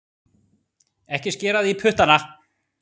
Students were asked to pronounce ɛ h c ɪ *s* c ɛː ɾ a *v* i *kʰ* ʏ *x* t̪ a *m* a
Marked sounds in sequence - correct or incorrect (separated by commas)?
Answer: correct, incorrect, incorrect, incorrect, incorrect